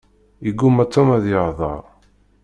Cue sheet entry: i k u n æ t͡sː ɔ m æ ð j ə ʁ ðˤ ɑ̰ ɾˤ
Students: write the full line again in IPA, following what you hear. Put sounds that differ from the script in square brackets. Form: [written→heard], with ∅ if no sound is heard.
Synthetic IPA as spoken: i [k→ɡ] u [n→m] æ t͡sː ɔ m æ ð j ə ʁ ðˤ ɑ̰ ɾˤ